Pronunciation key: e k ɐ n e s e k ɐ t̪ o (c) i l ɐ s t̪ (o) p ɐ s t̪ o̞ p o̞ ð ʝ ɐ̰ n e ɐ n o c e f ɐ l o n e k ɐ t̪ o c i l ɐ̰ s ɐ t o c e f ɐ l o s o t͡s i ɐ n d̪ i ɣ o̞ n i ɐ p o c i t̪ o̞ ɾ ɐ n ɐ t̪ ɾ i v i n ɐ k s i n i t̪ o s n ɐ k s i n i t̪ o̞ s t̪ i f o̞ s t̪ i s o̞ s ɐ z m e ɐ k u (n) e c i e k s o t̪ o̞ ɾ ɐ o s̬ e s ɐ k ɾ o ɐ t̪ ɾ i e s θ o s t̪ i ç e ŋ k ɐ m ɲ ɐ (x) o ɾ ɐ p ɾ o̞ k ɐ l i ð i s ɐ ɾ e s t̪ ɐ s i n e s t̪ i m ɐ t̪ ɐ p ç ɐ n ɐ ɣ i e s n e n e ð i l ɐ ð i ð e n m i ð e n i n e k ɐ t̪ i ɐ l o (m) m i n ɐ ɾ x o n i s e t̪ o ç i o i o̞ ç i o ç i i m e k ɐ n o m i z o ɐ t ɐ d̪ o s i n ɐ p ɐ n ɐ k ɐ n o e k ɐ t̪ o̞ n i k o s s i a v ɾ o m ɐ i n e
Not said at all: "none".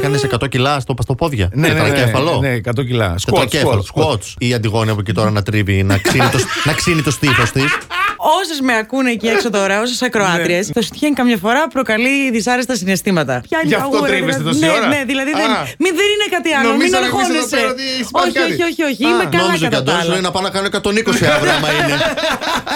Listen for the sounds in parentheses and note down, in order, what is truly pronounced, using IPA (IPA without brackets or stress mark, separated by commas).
c, o, n, f, m